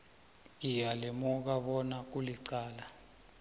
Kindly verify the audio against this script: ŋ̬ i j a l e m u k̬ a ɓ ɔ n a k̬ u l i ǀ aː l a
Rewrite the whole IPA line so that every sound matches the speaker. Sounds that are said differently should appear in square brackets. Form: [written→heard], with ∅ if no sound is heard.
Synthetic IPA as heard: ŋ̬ i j a l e m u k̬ a ɓ ɔ n a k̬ u l i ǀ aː l a